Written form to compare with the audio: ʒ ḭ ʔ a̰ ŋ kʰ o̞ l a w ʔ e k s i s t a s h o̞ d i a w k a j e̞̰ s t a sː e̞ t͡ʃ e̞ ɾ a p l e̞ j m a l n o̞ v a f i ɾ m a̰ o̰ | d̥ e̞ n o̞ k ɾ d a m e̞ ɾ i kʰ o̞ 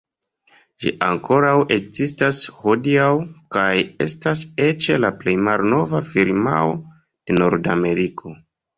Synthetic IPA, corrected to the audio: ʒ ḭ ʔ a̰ ŋ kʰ o̞ ɾ a w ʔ e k z i s t a s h o̞ d i a w k a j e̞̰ s t a s e̞ t͡ʃ e̞ l a p l e̞ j m a l n o̞ v a f i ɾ m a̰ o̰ | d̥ e̞ n o̞ ɾ d a m e̞ ɾ i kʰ o̞